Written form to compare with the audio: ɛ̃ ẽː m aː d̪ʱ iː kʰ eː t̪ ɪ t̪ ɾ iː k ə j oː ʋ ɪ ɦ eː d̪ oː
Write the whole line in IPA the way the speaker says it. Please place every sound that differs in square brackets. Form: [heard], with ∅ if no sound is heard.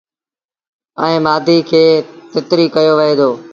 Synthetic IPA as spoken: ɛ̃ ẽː m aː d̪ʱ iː kʰ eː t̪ ɪ t̪ ɾ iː k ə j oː ʋ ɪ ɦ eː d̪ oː